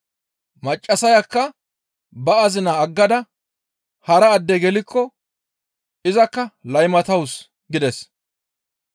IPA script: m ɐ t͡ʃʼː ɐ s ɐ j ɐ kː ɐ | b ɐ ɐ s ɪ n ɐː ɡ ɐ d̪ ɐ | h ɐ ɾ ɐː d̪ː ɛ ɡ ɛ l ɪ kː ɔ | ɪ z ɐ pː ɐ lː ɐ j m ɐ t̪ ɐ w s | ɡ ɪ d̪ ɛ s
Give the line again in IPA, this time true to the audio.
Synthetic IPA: m ɐ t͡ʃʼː ɐ s ɐ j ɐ kː ɐ | b ɐ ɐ z ɪ n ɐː ɡː ɐ d̪ ɐ | h ɐ ɾ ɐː d̪ː ɛ ɡ ɛ l ɪ kː ɔ | ɪ z ɐ kː ɐ l ɐ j m ɐ t̪ ɐ w s | ɡ ɪ d̪ ɛ s

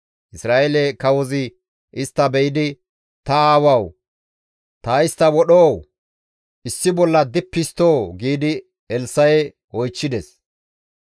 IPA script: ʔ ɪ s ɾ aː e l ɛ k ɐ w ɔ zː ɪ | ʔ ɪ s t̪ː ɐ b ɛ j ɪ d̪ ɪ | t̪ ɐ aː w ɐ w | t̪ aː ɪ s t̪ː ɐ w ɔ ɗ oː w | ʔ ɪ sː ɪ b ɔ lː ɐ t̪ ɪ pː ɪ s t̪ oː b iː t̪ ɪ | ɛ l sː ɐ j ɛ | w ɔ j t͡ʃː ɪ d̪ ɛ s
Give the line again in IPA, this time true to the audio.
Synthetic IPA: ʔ ɪ s ɾ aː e l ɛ k ɐ w ɔ z ɪ | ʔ ɪ s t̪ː ɐ b ɛ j ɪ d̪ ɪ | t̪ ɐ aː w ɐ w | t̪ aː ɪ s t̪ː ɐ w ɔ ɗ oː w | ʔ ɪ sː ɪ b ɔ lː ɐ d̪ ɪ pː ɪ s t̪ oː ɡ iː d̪ ɪ | ɛ l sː ɐ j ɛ | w ɔ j t͡ʃː ɪ d̪ ɛ s

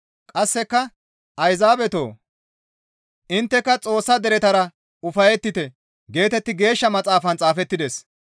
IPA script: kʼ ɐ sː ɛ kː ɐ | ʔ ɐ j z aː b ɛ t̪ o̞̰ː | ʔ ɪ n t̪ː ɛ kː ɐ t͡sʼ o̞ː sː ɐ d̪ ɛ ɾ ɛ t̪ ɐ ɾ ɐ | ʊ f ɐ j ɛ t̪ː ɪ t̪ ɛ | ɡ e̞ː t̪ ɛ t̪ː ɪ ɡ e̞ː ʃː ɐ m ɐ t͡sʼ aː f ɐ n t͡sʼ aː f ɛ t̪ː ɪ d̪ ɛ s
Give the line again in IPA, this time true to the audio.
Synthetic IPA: kʼ ɐ sː ɛ kː ɐ | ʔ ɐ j z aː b ɛ t̪ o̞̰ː | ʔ ɪ n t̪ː ɛ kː ɐ t͡sʼ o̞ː sː ɐ d̪ ɛ ɾ ɛ t̪ ɐ ɾ ɐ | ʊ f ɐ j ɛ t̪ː ɪ t̪ ɛ | ɡ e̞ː t̪ ɛ t̪ː ɪ ɡ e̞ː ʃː ɐ m ɐ t͡sʼ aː f ɐ n t͡sʼ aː f ɛ t̪ː ɪ d̪ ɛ s

